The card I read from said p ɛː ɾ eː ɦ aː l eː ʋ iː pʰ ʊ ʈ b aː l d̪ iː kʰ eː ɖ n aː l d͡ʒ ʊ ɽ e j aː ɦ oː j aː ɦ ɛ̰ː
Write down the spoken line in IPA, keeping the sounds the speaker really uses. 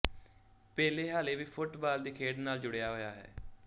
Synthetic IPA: p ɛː l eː ɦ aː l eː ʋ iː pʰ ʊ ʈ b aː l d̪ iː kʰ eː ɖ n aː l d͡ʒ ʊ ɽ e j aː ɦ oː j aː ɦ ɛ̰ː